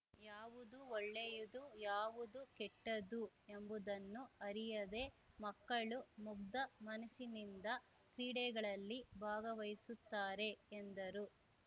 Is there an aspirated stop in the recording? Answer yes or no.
no